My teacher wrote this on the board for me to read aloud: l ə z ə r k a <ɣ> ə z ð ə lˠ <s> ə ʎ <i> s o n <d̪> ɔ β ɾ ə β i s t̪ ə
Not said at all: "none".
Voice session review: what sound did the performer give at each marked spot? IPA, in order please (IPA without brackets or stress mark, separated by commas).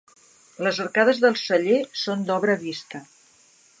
ð, s, e, d̪